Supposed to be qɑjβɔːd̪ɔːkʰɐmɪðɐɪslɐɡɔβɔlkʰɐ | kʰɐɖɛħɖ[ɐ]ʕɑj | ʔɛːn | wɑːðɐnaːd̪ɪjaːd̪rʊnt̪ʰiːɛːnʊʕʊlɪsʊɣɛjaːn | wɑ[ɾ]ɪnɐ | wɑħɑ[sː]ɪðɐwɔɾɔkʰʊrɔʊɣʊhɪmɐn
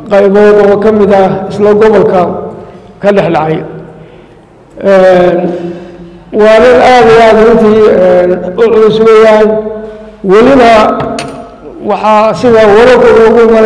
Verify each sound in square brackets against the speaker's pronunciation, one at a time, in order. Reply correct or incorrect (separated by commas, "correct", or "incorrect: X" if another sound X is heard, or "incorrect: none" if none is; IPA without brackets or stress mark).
incorrect: ɑ, incorrect: l, incorrect: s